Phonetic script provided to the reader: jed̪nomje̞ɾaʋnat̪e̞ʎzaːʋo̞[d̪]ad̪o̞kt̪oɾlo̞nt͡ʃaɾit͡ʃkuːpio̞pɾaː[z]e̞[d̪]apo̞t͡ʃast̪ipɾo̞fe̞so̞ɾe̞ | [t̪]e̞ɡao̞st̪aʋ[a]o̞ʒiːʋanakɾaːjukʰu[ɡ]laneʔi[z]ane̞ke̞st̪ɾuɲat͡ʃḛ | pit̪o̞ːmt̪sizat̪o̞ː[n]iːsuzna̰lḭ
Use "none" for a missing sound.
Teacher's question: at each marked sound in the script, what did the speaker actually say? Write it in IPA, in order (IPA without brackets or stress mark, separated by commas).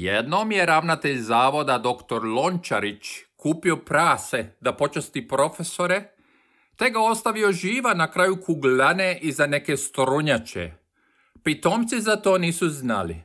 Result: d̪, s, d̪, t̪, i, ɡ, z, n